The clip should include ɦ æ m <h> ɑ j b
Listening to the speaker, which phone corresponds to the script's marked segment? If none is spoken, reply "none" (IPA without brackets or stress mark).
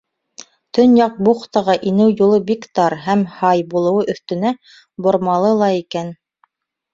h